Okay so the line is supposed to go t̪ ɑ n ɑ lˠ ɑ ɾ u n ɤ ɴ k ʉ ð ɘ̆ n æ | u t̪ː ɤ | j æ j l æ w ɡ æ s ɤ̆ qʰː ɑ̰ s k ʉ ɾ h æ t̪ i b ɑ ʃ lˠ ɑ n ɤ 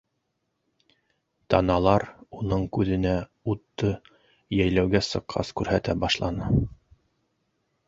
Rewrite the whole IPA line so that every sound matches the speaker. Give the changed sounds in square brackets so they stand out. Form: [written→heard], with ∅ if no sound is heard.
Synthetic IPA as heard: t̪ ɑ n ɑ lˠ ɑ ɾ u n ɤ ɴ k ʉ ð ɘ̆ n æ | u t̪ː ɤ | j æ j l æ w ɡ æ s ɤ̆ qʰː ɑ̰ s k ʉ ɾ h æ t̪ [i→æ] b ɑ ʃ lˠ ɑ n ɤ